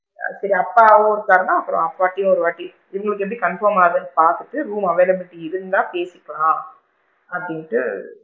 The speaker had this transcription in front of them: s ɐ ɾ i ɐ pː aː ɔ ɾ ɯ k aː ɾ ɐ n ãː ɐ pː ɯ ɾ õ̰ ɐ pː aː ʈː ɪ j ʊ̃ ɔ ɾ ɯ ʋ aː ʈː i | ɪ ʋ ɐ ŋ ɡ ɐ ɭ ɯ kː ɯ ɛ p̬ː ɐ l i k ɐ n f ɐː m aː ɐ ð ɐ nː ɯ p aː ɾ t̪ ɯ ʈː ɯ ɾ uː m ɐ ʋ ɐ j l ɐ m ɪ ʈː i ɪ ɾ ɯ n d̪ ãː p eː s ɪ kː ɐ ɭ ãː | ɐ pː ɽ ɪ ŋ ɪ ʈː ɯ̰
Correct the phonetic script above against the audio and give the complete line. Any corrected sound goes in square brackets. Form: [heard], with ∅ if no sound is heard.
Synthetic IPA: s ɐ ɾ i ɐ pː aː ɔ ɾ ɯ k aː ɾ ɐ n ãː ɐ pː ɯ ɾ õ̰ ɐ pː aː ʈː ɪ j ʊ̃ ɔ ɾ ɯ ʋ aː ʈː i | ɪ ʋ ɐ ŋ ɡ ɐ ɭ ɯ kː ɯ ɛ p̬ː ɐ [ɽ] i k ɐ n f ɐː m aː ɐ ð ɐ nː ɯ p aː ɾ t̪ ɯ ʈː ɯ ɾ uː m ɐ ʋ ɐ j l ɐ m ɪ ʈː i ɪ ɾ ɯ n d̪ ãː p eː s ɪ kː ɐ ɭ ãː | ɐ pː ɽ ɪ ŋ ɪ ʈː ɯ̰